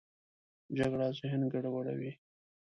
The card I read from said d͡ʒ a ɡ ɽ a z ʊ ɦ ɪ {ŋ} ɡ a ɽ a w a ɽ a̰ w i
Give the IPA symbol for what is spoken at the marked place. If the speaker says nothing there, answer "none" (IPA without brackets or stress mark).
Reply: n